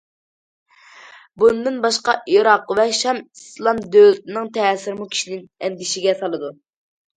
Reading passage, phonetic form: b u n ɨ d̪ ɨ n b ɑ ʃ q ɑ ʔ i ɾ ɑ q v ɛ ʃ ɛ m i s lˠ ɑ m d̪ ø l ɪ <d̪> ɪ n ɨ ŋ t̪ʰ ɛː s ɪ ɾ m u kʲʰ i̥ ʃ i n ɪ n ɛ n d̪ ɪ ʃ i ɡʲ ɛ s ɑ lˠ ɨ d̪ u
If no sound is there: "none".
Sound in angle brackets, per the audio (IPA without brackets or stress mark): t̪